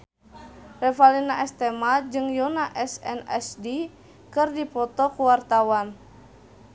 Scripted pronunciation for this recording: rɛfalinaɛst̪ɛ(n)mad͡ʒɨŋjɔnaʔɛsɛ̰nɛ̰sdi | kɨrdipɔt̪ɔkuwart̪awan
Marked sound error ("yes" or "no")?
yes